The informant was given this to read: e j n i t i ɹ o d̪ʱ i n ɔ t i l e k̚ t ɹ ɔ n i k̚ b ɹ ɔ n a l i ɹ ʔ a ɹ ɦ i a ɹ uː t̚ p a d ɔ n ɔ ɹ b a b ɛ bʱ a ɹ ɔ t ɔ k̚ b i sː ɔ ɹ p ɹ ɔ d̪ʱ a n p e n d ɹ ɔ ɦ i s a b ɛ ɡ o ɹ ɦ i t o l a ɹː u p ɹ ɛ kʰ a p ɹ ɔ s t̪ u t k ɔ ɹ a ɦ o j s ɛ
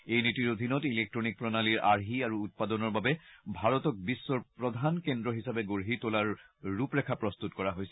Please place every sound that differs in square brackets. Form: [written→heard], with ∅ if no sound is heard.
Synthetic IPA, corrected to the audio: e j n i t i ɹ o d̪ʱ i n ɔ t i l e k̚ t ɹ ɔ n i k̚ [b→p] ɹ ɔ n a l i ɹ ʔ a ɹ ɦ i a ɹ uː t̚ p a d ɔ n ɔ ɹ b a b ɛ bʱ a ɹ ɔ t ɔ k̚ b i sː ɔ ɹ p ɹ ɔ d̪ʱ a n [p→k] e n d ɹ ɔ ɦ i s a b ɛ ɡ o ɹ ɦ i t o l a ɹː u p ɹ ɛ kʰ a p ɹ ɔ s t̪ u t k ɔ ɹ a ɦ o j s ɛ

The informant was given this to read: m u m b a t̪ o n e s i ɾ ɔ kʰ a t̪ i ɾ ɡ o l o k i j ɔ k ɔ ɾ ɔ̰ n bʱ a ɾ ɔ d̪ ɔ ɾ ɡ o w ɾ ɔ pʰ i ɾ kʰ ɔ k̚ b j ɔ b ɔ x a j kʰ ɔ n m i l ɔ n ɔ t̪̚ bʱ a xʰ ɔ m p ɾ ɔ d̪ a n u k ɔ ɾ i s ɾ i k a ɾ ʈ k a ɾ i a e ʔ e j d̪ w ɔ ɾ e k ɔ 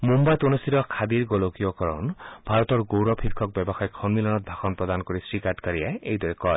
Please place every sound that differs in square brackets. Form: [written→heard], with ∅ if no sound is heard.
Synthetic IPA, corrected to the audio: m u m b a t̪ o n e s i ɾ ɔ kʰ a [t̪→d̪] i ɾ ɡ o l o k i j ɔ k ɔ ɾ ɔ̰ n bʱ a ɾ ɔ [d̪→t̪] ɔ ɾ ɡ o w ɾ ɔ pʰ i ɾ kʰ ɔ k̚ b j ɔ b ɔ x a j kʰ ɔ n m i l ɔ n ɔ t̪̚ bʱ a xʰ ɔ [m→n] p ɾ ɔ d̪ a n [u→ɔ] k ɔ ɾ i s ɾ i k a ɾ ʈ k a ɾ i a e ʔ e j d̪ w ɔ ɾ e k ɔ

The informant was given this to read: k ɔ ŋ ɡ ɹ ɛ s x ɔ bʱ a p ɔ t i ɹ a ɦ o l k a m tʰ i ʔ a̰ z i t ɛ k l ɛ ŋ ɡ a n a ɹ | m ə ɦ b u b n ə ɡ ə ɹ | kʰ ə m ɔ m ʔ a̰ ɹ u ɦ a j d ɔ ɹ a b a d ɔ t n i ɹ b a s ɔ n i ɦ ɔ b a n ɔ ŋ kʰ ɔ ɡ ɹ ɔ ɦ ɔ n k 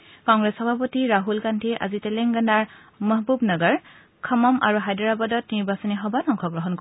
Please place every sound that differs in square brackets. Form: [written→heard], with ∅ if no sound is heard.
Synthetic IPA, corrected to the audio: k ɔ ŋ ɡ ɹ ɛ s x ɔ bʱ a p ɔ t i ɹ a ɦ [o→u] l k a [m→n] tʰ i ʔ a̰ z i t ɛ [k→∅] l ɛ ŋ ɡ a n a ɹ | m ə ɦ b u b n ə ɡ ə ɹ | kʰ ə m ɔ m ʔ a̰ ɹ u ɦ a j d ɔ ɹ a b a d ɔ t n i ɹ b a s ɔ n i ɦ ɔ b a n ɔ ŋ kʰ ɔ ɡ ɹ ɔ ɦ ɔ n k

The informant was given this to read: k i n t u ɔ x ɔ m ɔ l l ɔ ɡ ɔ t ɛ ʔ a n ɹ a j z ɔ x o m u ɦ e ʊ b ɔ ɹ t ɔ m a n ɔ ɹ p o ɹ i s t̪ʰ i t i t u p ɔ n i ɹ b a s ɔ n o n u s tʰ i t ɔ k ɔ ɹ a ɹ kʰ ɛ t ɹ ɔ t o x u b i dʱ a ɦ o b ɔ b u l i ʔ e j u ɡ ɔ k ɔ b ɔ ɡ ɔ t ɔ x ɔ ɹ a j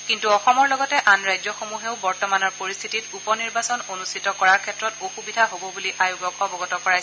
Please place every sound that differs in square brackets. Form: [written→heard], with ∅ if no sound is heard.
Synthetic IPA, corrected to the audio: k i n t u ɔ x ɔ m ɔ [l→ɹ] l ɔ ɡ ɔ t ɛ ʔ a n ɹ a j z ɔ x o m u ɦ e ʊ b ɔ ɹ t ɔ m a n ɔ ɹ p o ɹ i s t̪ʰ i t i t u p ɔ n i ɹ b a s ɔ n o n u s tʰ i t ɔ k ɔ ɹ a ɹ kʰ ɛ t ɹ ɔ t o x u b i dʱ a ɦ o b ɔ b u l i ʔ [e→a] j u ɡ ɔ k ɔ b ɔ ɡ ɔ t ɔ [x→k] ɔ ɹ a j

